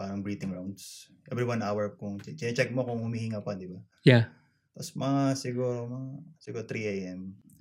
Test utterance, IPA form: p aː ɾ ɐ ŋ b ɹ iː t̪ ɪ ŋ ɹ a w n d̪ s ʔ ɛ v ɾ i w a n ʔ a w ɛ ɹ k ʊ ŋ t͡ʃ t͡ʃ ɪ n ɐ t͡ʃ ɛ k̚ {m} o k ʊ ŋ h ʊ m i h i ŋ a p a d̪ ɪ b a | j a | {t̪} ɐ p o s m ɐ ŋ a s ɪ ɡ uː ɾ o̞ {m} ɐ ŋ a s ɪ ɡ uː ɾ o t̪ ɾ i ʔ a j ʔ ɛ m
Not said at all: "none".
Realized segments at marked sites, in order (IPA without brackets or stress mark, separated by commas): m, t̪, m